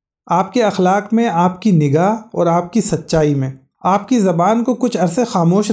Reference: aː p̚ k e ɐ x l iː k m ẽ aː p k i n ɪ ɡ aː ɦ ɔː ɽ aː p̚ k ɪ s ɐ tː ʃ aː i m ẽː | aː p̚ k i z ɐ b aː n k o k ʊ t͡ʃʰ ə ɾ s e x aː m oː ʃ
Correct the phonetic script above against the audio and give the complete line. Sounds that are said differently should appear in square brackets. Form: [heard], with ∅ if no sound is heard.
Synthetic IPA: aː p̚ k e ɐ x l [aː] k m ẽ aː p k i n ɪ ɡ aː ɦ ɔː [ɾ] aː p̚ k [i] s ɐ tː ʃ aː i m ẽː | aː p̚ k i z ɐ b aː n k o k ʊ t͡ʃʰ [ɐ] ɾ s e x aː m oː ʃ